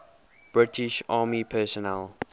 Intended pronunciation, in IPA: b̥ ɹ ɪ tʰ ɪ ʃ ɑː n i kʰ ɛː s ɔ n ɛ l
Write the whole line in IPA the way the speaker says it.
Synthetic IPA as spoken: b̥ ɹ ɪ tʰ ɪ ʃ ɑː m i pʰ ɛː s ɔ n ɛ l